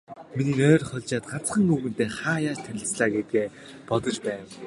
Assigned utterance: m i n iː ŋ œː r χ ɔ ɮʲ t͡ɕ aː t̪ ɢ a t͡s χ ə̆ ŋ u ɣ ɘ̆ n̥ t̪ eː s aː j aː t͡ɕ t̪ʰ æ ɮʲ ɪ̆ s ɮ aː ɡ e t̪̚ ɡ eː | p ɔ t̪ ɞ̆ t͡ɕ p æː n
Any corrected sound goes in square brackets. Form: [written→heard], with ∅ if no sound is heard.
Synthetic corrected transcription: m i n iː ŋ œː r χ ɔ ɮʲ t͡ɕ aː t̪ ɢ a t͡s χ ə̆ ŋ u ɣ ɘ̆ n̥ t̪ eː [s→χ] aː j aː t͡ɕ t̪ʰ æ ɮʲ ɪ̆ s ɮ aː ɡ e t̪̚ ɡ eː | p ɔ t̪ ɞ̆ t͡ɕ p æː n

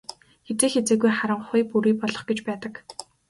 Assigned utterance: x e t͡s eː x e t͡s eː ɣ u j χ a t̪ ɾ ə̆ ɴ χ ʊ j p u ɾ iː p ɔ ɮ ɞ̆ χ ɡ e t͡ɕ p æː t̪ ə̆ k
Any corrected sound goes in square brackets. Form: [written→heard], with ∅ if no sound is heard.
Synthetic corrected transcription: x e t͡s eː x e t͡s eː ɣ u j χ a [t̪→∅] ɾ ə̆ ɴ χ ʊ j p u ɾ iː p ɔ ɮ ɞ̆ χ ɡ e t͡ɕ p æː t̪ ə̆ k

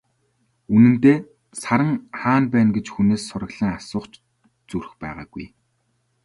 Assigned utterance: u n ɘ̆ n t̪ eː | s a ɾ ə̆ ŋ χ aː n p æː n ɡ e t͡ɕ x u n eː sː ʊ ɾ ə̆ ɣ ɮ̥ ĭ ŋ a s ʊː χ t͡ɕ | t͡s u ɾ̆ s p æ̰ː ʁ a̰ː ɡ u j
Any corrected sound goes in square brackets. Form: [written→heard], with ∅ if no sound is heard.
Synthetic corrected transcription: u n ɘ̆ n t̪ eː | s a ɾ ə̆ ŋ χ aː n p æː n ɡ e t͡ɕ x u n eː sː ʊ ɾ ə̆ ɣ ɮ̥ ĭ ŋ a s ʊː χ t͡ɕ | t͡s u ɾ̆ [s→x] p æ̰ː ʁ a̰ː ɡ u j

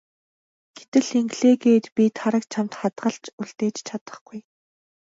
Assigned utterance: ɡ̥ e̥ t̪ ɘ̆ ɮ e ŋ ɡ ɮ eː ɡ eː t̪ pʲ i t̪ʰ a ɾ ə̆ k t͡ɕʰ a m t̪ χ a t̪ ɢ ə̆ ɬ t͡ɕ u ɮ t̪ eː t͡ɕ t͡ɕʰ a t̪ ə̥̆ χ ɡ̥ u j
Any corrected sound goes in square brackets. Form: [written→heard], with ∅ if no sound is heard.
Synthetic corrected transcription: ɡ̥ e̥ t̪ ɘ̆ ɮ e ŋ ɡ ɮ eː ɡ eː t̪ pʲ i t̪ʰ a ɾ ə̆ k t͡ɕʰ a m t̪ χ a t̪ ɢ ə̆ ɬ t͡ɕ u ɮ t̪ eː t͡ɕ t͡ɕʰ a t̪ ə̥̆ χ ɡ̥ u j

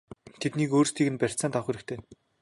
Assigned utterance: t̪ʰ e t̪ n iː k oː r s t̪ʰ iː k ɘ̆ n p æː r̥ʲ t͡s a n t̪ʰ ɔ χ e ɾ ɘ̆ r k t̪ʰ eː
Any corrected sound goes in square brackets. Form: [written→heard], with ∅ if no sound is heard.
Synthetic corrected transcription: t̪ʰ e t̪ n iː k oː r s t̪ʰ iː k ɘ̆ n p [æː→æ] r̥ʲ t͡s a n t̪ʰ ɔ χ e ɾ ɘ̆ [r→∅] k t̪ʰ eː

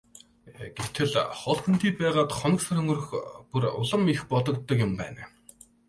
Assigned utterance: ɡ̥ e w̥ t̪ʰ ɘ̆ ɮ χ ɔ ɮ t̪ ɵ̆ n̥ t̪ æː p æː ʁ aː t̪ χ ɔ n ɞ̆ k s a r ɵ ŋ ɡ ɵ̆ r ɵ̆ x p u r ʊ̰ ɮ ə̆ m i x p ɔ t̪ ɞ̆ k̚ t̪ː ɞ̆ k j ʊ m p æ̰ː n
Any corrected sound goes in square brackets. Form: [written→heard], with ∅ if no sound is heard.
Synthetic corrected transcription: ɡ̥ e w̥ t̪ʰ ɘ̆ ɮ χ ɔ ɮ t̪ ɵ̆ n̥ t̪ [æː→iː] p æː ʁ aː t̪ χ ɔ n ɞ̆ k s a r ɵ ŋ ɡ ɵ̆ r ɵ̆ x p u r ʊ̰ ɮ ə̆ m i x p ɔ t̪ ɞ̆ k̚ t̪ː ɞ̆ k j ʊ m p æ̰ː n

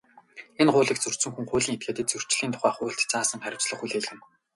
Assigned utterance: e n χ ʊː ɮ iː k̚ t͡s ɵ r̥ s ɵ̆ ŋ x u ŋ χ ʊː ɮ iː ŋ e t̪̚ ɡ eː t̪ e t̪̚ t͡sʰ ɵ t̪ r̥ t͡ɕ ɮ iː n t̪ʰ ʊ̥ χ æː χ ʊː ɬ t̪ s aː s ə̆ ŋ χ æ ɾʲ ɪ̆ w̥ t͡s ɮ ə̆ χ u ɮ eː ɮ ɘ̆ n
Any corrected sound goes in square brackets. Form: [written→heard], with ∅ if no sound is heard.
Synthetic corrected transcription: e n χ ʊː ɮ iː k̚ t͡s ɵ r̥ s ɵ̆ ŋ x u ŋ χ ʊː ɮ iː ŋ e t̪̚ ɡ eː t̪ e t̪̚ [t͡sʰ→t͡s] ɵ [t̪→∅] r̥ t͡ɕ ɮ iː n t̪ʰ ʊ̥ χ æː χ ʊː ɬ t̪ [s→t͡s] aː s ə̆ ŋ χ æ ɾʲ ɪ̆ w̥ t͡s ɮ ə̆ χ u ɮ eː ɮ ɘ̆ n

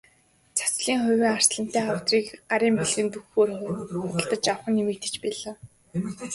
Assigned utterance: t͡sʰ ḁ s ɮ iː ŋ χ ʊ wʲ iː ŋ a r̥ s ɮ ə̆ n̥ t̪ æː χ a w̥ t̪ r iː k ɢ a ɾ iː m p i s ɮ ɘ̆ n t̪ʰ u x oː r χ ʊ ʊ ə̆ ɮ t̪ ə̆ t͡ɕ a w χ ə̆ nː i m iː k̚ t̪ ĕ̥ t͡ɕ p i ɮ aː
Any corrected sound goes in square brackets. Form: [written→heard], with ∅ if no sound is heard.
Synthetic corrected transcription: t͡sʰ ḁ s ɮ iː ŋ χ ʊ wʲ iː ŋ a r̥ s ɮ ə̆ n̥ t̪ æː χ a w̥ t̪ r iː k ɢ a ɾ iː m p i [s→∅] ɮ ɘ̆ n [t̪ʰ→t̪] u x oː r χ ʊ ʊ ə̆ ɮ t̪ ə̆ t͡ɕ a w χ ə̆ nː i m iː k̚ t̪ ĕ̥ t͡ɕ p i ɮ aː

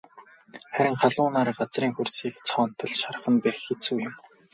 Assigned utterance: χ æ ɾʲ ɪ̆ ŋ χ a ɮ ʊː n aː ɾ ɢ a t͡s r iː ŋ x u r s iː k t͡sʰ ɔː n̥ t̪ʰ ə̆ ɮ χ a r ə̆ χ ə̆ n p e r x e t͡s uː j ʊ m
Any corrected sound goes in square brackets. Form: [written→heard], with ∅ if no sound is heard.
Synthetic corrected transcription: χ æ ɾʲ ɪ̆ ŋ χ a ɮ ʊː n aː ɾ ɢ a t͡s r iː ŋ x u r s iː k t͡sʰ ɔː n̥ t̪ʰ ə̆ ɮ [χ→ʃ] a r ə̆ χ ə̆ n p e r x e t͡s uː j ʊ m

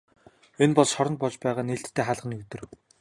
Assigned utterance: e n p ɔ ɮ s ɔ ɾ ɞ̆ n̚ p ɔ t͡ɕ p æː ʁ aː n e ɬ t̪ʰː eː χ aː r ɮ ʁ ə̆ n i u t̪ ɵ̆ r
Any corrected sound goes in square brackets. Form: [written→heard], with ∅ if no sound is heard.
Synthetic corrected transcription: e n p ɔ ɮ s ɔ ɾ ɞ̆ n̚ p ɔ t͡ɕ p æː ʁ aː n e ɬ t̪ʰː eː χ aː [r→∅] ɮ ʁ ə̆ n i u t̪ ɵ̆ r

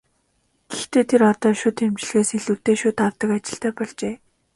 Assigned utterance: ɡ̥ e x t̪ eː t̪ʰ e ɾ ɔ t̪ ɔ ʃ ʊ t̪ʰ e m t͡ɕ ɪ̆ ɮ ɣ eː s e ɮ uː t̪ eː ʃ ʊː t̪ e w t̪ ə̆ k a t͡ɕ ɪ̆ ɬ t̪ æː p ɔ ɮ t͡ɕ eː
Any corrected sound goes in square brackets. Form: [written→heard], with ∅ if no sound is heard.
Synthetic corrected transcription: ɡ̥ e x t̪ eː t̪ʰ e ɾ ɔ t̪ [ɔ→ɔː] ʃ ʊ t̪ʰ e m t͡ɕ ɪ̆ ɮ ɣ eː s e ɮ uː t̪ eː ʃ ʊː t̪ [e→a] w t̪ ə̆ k a t͡ɕ ɪ̆ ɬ t̪ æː p ɔ ɮ t͡ɕ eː

